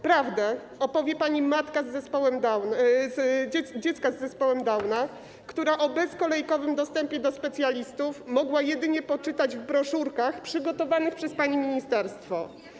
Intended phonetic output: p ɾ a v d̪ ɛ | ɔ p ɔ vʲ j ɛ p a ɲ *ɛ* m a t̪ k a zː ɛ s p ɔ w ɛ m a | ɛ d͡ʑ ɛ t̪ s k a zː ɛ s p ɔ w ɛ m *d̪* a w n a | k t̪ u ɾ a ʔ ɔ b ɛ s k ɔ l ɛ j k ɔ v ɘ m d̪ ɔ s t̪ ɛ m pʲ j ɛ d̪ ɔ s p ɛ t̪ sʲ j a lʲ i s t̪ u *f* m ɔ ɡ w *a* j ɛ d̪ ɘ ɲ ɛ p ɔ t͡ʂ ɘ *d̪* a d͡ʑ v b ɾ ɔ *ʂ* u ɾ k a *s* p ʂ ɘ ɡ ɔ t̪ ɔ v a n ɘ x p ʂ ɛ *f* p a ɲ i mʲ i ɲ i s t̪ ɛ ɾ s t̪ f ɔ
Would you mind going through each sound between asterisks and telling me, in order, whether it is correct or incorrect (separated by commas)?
incorrect, correct, correct, correct, incorrect, correct, incorrect, incorrect